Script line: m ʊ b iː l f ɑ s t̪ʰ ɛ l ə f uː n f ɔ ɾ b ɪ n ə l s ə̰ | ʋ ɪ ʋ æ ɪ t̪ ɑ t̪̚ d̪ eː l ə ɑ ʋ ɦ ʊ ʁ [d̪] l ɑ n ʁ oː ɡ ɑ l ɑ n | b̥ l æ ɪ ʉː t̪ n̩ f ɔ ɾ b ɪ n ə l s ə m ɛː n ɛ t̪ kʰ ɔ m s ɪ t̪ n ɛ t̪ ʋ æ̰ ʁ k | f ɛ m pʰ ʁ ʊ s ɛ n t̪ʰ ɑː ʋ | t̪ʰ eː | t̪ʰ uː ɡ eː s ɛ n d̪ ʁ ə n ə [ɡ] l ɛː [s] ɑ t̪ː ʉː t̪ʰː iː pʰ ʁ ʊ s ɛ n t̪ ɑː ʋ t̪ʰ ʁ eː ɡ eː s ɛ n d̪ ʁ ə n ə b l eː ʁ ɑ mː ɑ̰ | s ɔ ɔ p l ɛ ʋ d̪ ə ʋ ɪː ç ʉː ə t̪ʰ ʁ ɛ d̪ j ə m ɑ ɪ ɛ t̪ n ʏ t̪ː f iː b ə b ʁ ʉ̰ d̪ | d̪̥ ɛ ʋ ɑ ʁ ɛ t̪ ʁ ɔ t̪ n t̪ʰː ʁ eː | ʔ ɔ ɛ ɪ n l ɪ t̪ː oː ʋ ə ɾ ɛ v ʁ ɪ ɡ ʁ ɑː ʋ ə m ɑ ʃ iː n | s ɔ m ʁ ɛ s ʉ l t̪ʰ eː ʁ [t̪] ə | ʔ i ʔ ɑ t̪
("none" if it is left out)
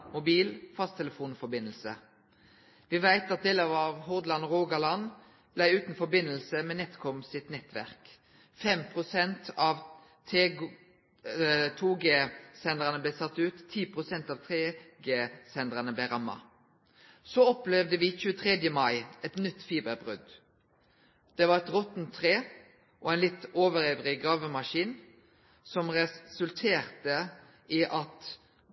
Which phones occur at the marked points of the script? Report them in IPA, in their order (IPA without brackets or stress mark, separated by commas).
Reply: d̪, b, s, t̪